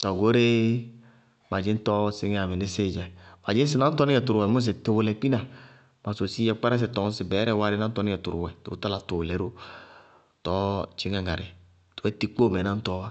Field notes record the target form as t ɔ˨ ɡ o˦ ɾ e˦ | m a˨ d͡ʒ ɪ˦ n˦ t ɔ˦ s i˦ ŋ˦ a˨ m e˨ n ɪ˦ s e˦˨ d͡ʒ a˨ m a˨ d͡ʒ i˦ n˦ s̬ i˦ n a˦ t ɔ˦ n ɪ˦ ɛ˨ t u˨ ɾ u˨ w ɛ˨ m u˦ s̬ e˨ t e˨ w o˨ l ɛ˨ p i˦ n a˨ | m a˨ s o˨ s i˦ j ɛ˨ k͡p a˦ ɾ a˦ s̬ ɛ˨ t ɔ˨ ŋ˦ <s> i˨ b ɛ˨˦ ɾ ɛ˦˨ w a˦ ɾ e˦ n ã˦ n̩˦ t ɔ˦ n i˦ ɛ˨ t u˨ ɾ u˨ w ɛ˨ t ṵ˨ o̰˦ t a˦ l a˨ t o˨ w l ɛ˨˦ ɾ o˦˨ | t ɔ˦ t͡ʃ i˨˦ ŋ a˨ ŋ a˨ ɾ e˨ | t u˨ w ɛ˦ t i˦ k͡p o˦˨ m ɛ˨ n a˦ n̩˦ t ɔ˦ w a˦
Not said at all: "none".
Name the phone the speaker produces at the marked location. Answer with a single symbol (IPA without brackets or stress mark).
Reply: s